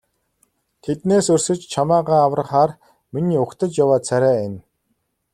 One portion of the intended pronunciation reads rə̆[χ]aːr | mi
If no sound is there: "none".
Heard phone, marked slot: χ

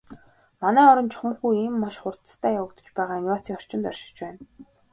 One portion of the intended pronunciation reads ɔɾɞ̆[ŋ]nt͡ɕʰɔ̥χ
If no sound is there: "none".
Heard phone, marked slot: none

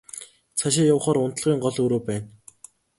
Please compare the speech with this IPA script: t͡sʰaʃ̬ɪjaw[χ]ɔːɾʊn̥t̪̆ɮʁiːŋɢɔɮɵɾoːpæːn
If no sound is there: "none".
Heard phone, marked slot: χ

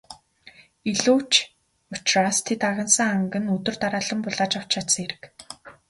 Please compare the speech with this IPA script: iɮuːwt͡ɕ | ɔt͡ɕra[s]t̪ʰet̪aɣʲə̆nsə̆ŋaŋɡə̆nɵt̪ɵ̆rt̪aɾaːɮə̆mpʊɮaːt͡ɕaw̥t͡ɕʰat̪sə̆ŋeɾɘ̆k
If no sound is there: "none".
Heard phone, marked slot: s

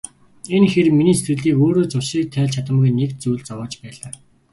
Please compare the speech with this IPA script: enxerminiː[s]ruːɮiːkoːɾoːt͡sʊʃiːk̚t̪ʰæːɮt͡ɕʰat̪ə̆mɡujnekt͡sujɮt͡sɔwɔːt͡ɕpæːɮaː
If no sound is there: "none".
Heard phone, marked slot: s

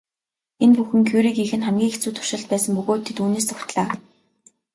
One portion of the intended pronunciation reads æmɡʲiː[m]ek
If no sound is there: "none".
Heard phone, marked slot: ŋ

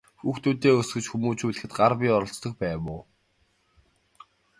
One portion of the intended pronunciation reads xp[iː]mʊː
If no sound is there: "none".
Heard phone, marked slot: æː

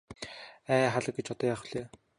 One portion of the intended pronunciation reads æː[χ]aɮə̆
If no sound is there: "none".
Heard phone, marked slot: χ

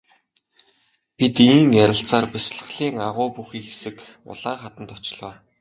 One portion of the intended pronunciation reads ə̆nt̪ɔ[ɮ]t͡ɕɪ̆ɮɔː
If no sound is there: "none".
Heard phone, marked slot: none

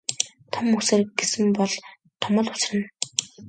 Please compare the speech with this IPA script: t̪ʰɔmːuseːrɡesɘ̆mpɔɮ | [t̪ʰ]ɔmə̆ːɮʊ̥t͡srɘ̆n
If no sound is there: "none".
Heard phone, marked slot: t̪ʰ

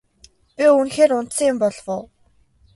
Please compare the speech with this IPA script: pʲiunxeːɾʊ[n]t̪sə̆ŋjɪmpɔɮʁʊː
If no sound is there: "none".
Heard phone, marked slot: n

